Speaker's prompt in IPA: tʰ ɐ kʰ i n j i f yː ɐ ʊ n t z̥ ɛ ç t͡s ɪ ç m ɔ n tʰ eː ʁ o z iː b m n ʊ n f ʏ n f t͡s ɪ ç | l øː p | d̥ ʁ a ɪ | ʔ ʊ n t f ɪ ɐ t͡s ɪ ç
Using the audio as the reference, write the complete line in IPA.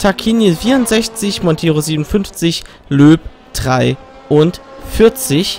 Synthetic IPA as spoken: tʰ a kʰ i n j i f iː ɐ ʊ n t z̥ ɛ ç t͡s ɪ ç m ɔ n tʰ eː ʁ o z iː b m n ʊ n f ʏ n f t͡s ɪ ç | l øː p | d̥ ʁ a ɪ | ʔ ʊ n t f ɪ ɐ t͡s ɪ ç